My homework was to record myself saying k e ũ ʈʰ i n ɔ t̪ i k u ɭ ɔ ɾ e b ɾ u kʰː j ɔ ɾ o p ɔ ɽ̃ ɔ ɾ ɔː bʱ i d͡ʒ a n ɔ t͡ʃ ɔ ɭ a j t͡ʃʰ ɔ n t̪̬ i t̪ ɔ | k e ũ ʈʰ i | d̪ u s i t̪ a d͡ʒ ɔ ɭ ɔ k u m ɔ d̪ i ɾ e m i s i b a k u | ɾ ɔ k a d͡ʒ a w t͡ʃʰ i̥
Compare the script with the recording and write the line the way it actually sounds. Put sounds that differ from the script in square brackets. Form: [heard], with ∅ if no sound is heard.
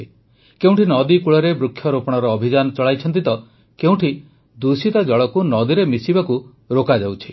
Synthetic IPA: k e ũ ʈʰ i n ɔ [d̪] i k u ɭ ɔ ɾ e b ɾ u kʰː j ɔ ɾ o p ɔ ɽ̃ ɔ ɾ ɔː bʱ i d͡ʒ a n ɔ t͡ʃ ɔ ɭ a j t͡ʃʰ ɔ n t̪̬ i t̪ ɔ | k e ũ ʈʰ i | d̪ u s i t̪ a d͡ʒ ɔ ɭ ɔ k u [n] ɔ d̪ i ɾ e m i s i b a k u | ɾ [o] k a d͡ʒ a w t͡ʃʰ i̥